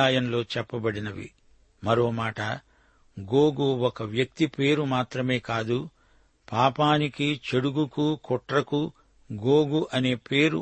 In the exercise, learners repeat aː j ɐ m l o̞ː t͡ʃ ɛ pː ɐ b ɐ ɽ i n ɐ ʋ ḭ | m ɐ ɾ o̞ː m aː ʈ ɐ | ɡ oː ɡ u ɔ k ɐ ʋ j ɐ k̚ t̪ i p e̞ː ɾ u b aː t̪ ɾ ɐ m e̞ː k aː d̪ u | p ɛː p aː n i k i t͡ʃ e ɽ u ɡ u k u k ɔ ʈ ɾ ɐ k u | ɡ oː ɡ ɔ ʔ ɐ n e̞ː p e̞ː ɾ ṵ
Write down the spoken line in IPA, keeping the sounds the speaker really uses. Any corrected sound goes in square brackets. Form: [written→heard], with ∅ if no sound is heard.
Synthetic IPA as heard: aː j ɐ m l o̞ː t͡ʃ ɛ pː ɐ b ɐ ɽ i n ɐ ʋ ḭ | m ɐ ɾ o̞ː m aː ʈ ɐ | ɡ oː ɡ u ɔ k ɐ ʋ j ɐ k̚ t̪ i p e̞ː ɾ u [b→m] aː t̪ ɾ ɐ m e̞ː k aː d̪ u | p [ɛː→aː] p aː n i k i t͡ʃ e ɽ u ɡ u k u k ɔ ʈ ɾ ɐ k u | ɡ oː ɡ [ɔ→u] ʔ ɐ n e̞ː p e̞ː ɾ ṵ